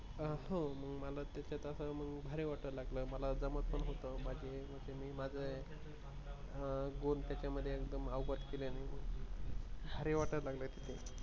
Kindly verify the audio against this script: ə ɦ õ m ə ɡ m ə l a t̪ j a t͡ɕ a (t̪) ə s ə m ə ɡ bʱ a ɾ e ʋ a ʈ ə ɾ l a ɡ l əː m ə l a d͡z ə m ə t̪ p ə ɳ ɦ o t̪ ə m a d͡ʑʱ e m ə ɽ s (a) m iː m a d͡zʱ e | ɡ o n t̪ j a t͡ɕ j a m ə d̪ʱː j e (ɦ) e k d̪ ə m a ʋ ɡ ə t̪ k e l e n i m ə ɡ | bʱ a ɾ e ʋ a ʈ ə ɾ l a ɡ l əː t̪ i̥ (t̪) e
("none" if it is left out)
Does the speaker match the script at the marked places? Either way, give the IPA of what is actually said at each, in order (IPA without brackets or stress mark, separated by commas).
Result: t̪, e, none, t̪ʰ